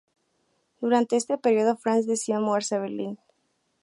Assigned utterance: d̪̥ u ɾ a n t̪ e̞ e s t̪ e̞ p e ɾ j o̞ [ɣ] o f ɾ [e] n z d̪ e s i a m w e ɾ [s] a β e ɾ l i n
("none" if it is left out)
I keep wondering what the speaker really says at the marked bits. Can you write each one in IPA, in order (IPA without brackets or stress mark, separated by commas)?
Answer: ð, a, s